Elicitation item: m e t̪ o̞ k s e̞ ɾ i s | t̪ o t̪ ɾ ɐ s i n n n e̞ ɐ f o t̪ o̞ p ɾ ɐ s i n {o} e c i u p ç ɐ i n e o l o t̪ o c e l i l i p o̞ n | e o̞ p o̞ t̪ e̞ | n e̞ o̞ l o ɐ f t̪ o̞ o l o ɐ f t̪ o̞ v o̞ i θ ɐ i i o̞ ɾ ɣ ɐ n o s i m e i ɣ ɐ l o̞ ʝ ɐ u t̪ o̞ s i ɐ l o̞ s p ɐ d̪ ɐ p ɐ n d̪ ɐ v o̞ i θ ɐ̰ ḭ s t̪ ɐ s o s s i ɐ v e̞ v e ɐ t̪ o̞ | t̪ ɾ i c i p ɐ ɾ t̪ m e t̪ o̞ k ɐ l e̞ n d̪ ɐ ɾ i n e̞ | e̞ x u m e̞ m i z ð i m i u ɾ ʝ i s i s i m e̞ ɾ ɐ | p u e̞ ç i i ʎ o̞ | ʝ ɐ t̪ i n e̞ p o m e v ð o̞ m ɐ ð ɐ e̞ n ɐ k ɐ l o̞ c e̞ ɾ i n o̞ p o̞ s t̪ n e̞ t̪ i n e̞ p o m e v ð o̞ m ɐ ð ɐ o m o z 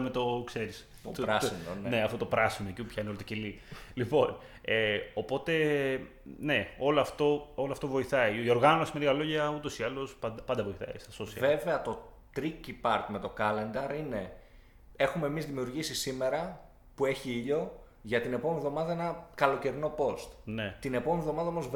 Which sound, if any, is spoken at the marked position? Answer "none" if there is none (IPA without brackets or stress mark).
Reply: o